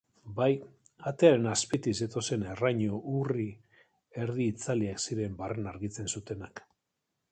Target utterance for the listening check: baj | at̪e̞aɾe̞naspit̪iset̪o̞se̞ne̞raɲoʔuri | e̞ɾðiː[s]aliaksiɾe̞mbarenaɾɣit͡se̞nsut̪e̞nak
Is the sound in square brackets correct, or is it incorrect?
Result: incorrect